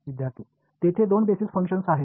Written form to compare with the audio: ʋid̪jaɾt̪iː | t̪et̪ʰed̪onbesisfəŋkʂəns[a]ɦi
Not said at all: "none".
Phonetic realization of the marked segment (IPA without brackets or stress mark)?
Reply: a